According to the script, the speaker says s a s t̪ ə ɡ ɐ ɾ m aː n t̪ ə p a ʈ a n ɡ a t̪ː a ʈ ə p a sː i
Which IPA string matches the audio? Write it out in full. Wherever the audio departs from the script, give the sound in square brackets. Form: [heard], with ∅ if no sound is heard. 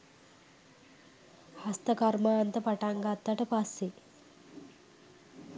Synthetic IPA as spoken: [h] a s t̪ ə [k] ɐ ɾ m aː n t̪ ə p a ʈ a [ŋ] ɡ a t̪ː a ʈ ə p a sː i